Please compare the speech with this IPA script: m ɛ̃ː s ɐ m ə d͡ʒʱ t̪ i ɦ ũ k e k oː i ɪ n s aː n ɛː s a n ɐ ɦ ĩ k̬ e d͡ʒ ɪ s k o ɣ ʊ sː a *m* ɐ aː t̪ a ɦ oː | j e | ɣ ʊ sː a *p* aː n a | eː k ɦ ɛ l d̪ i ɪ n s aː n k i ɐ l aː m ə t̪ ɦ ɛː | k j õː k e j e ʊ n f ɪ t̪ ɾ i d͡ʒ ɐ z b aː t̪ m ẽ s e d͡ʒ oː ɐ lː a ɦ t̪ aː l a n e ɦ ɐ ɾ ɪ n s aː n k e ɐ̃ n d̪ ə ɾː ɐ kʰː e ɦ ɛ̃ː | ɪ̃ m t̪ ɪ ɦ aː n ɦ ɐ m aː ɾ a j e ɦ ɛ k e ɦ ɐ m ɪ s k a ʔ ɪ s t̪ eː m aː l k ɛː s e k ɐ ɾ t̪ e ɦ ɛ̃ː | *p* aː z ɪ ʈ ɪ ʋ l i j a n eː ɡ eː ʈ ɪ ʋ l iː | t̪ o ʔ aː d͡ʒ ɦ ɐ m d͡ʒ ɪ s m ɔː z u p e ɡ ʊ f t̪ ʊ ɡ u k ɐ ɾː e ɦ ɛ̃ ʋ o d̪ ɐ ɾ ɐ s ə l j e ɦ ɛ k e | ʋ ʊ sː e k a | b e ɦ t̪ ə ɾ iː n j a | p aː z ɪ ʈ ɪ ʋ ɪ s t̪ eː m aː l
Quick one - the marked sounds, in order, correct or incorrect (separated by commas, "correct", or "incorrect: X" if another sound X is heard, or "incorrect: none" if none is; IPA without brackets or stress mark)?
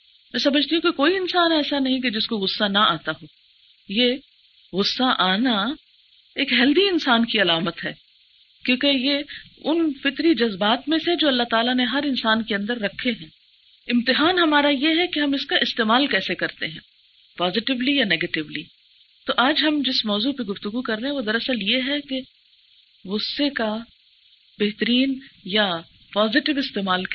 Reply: incorrect: n, incorrect: ʔ, correct